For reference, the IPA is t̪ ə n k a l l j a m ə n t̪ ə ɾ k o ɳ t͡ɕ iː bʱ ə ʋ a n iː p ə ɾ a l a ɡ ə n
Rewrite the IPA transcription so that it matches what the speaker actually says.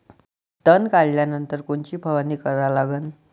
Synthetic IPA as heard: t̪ ə n k a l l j a n ə n t̪ ə ɾ k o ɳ t͡ɕ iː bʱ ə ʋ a n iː k ə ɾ a l a ɡ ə n